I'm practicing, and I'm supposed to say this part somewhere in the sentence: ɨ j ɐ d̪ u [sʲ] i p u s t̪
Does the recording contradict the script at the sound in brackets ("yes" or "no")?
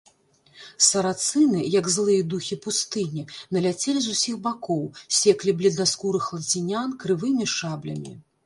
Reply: yes